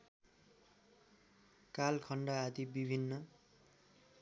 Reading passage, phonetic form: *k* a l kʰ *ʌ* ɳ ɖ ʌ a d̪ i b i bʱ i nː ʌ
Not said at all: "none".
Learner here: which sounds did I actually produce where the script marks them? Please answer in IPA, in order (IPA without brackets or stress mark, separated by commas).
k, ʌ